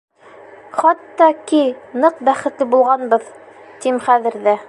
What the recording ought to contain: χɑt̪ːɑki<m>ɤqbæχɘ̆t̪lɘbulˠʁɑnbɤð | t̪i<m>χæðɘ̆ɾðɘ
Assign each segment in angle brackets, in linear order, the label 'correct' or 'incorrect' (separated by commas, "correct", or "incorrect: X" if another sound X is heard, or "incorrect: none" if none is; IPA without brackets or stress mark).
incorrect: n, correct